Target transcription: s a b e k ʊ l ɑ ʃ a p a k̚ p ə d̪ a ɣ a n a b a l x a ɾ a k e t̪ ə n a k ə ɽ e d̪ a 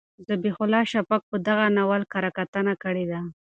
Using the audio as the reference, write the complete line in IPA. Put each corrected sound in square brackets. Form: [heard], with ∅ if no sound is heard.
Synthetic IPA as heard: [z] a b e [x] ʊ l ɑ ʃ a p a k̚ p ə d̪ a ɣ a n a [w] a l [k] a ɾ a k [a] t̪ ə n a k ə ɽ e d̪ a